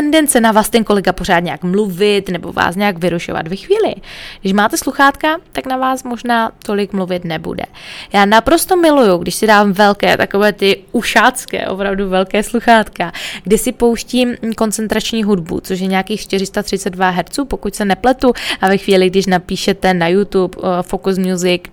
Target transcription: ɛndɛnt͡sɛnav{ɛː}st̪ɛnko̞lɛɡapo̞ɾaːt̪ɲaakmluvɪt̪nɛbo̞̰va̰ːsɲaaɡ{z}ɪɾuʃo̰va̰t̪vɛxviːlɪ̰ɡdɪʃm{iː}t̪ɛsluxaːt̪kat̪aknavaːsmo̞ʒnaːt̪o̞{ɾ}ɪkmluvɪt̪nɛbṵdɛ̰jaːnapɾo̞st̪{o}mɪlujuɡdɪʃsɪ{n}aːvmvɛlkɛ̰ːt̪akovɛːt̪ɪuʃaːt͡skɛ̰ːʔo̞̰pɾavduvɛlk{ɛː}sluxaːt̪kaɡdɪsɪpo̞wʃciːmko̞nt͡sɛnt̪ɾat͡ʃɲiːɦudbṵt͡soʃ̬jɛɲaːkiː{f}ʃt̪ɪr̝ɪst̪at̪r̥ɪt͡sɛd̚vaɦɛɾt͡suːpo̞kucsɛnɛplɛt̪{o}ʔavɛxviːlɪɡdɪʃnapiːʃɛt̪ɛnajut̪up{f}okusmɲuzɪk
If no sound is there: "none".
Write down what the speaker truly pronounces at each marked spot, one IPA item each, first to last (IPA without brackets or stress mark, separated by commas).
aː, v, aː, l, o, d, ɛː, x, u, f